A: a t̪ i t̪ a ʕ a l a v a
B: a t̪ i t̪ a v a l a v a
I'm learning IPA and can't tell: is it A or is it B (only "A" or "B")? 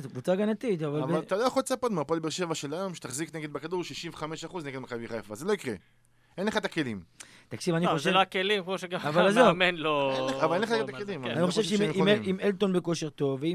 B